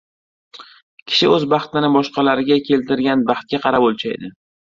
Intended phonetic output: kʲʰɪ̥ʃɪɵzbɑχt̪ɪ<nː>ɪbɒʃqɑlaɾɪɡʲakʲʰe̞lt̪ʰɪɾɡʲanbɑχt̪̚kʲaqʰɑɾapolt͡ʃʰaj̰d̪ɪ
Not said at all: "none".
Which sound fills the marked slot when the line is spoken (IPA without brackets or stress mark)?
n